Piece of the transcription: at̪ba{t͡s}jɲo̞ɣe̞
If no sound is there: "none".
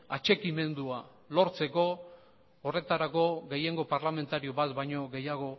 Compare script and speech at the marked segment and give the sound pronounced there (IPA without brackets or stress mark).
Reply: none